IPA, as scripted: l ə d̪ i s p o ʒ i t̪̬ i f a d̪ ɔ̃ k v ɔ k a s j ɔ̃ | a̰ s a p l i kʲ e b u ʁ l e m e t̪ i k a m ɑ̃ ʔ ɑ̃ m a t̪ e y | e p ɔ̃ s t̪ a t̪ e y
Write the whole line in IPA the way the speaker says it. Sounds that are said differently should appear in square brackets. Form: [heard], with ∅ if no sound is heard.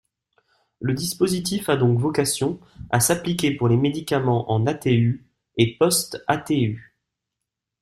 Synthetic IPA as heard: l ə d̪ i s p o [z] i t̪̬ i f a d̪ ɔ̃ k v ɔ k a s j ɔ̃ | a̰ s a p l i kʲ e [p] u ʁ l e m e [d̪] i k a m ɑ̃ ʔ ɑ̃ [n] a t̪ e y | e p [ɔ] s t̪ a t̪ e y